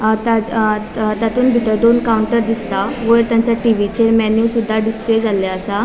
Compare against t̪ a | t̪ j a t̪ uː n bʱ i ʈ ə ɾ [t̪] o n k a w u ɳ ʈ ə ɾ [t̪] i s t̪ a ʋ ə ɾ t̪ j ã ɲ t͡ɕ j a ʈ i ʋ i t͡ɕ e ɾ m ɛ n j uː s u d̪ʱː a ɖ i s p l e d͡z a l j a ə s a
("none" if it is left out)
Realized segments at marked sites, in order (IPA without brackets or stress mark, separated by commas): d̪, d̪